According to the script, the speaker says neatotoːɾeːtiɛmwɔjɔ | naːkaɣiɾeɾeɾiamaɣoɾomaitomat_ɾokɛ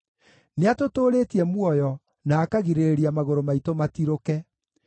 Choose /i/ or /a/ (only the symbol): i